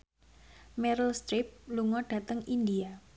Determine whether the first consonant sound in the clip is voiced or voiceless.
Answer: voiced